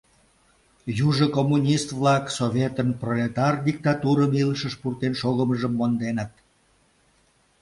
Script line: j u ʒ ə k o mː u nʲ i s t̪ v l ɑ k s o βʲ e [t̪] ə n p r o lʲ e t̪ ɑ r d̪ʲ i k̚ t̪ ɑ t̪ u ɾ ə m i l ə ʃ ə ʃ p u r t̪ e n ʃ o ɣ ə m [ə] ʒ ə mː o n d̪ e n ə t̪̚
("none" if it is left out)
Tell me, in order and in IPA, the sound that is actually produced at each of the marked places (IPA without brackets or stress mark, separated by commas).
t̪, ə